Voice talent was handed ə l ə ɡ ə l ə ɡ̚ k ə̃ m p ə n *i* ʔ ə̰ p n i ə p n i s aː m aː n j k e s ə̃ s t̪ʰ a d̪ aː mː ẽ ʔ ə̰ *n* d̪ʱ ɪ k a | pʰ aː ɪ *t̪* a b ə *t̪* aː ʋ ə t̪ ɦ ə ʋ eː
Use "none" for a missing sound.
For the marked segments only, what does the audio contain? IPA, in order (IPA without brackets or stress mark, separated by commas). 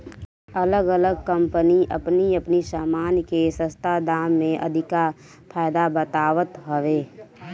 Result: i, none, d̪, t̪